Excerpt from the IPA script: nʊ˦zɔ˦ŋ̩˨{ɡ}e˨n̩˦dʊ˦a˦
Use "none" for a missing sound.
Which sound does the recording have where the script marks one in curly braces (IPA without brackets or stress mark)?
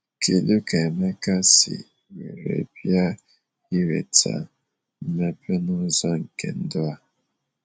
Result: k